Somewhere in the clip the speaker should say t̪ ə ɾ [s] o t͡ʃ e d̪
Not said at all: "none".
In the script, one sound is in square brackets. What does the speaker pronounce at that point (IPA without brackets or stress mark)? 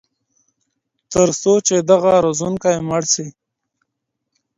s